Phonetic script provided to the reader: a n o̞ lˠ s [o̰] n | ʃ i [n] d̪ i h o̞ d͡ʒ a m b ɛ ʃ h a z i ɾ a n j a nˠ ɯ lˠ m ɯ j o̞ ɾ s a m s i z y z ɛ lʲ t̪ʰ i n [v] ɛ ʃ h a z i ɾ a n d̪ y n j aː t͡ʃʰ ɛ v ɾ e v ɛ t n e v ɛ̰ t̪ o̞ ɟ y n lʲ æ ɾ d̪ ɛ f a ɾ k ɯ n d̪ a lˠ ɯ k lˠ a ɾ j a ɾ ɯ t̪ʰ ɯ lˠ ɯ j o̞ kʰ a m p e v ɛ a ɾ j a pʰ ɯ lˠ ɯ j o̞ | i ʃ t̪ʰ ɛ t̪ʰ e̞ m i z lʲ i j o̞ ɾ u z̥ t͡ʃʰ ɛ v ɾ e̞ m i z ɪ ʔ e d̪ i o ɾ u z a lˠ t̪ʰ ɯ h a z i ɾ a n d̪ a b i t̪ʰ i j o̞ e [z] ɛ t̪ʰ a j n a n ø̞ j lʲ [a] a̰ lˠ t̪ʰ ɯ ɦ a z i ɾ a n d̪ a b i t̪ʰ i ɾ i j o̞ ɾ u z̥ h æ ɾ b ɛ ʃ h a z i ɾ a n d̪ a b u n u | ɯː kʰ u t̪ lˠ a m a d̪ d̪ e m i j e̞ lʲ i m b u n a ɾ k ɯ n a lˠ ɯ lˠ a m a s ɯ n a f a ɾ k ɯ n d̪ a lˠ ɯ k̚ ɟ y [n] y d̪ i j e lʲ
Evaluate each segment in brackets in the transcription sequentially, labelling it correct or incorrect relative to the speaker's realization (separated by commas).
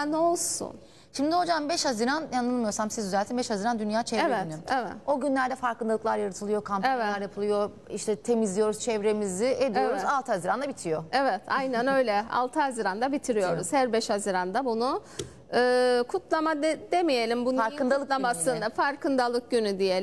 incorrect, incorrect, incorrect, incorrect, incorrect, correct